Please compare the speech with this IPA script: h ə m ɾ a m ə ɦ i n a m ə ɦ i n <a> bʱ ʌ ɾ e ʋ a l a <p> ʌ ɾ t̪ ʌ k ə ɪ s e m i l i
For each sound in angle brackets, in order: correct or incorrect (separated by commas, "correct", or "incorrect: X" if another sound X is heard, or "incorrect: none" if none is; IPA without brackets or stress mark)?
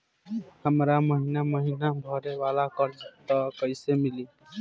correct, incorrect: k